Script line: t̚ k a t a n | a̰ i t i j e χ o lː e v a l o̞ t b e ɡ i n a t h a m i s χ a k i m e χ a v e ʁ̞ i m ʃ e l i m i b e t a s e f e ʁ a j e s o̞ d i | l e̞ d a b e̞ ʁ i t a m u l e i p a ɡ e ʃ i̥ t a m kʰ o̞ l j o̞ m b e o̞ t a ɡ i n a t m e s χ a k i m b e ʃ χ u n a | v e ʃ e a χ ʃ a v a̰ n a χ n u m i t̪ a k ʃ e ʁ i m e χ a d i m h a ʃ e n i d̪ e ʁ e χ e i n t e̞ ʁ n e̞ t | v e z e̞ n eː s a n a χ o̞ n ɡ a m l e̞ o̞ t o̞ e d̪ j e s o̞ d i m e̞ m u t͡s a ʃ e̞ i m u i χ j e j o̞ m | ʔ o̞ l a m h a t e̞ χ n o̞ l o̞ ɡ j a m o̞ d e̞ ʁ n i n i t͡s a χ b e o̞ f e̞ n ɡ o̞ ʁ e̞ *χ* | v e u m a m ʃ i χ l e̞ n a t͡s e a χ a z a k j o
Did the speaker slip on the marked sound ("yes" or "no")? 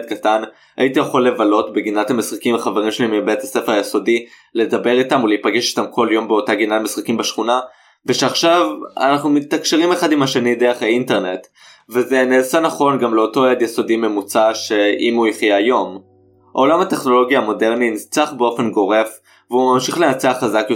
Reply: yes